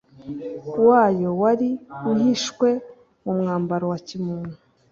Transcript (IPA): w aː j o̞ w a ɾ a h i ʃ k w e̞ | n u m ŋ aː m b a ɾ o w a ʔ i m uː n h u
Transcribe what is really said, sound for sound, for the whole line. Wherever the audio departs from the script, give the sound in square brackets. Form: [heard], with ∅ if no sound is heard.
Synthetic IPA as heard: w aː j o̞ w a ɾ [i] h i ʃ k w e̞ | [m] u m ŋ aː m b a ɾ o w a [c] i m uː n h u